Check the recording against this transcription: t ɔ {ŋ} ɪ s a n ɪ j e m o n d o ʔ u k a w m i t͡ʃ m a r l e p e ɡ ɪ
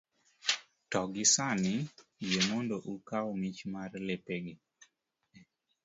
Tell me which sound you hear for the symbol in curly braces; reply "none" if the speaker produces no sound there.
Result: ɡ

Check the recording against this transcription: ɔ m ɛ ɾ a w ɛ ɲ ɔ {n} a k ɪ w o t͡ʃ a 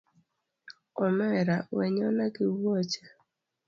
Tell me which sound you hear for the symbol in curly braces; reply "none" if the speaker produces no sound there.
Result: n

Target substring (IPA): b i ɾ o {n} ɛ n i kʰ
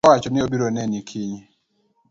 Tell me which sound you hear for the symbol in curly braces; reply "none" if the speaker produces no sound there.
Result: n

